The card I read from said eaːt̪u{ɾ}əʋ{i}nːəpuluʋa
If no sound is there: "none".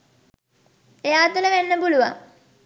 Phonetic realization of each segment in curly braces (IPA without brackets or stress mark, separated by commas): l, e